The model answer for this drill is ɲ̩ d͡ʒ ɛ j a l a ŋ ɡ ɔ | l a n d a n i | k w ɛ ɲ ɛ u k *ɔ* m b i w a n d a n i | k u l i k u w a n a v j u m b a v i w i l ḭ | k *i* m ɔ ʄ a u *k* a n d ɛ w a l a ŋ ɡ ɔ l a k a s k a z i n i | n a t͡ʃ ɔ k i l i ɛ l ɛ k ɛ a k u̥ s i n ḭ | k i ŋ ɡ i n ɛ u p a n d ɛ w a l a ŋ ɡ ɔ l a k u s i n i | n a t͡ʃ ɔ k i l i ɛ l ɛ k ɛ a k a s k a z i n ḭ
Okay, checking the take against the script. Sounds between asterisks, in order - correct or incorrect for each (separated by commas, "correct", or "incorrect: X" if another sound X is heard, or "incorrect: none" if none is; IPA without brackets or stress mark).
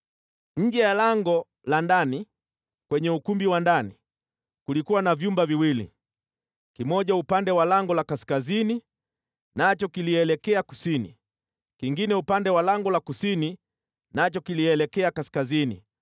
incorrect: u, correct, incorrect: p